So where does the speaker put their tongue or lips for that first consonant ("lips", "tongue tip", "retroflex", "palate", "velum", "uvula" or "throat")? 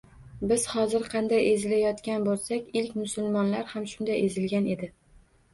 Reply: lips